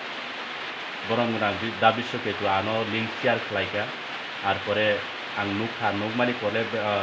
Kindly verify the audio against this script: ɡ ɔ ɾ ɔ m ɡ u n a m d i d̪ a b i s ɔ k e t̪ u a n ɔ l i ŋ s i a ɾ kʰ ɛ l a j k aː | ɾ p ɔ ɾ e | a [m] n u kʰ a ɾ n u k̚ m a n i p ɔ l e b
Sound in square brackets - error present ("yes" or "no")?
yes